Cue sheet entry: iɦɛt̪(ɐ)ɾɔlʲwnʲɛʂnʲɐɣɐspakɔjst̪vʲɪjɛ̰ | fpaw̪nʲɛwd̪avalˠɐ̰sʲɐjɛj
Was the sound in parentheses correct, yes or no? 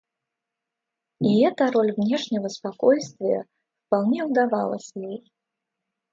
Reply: yes